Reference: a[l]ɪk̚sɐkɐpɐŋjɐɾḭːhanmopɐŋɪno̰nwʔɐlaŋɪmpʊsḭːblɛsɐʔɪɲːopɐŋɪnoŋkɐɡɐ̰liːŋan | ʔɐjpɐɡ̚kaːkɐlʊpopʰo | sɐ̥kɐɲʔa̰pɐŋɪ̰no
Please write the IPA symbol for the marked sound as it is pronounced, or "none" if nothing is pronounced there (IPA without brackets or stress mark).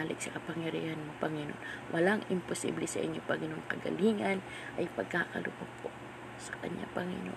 l